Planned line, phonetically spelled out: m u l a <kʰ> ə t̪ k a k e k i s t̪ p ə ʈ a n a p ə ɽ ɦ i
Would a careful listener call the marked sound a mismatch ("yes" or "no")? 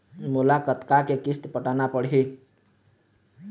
yes